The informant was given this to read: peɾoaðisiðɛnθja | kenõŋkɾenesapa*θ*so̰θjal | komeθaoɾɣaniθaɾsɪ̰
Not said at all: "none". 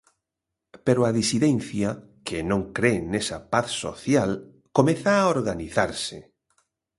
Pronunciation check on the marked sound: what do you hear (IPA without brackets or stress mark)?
θ